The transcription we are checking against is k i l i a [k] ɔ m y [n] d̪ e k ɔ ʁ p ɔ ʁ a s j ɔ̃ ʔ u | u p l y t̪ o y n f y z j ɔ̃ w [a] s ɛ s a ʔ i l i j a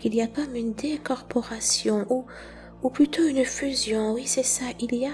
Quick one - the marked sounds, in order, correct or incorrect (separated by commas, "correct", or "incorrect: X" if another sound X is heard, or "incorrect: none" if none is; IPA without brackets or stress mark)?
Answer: correct, correct, incorrect: i